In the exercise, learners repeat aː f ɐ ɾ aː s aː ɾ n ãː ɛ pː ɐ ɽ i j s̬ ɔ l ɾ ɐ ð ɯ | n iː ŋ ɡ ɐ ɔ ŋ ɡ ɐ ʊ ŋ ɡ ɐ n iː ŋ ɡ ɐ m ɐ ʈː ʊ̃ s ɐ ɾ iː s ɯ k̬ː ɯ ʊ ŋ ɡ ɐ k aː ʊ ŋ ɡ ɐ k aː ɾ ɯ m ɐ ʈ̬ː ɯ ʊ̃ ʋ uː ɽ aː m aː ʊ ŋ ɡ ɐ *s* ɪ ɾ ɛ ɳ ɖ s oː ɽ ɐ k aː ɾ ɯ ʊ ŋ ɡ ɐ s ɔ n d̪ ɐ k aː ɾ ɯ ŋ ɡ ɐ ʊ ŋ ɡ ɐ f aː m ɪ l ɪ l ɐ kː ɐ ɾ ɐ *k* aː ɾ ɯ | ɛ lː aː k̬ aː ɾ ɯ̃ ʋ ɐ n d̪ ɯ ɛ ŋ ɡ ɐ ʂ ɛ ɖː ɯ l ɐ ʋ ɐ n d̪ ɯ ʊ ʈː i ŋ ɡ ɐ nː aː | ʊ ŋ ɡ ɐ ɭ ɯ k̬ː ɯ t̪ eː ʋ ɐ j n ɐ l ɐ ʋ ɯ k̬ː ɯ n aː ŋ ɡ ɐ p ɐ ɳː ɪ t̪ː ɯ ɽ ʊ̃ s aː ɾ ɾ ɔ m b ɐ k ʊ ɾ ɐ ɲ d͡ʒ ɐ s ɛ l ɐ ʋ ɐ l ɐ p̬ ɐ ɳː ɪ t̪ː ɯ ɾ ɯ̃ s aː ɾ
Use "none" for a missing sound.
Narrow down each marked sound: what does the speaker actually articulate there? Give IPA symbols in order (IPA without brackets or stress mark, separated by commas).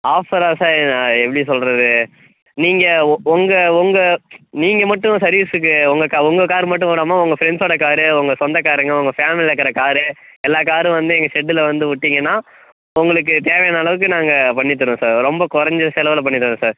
f, k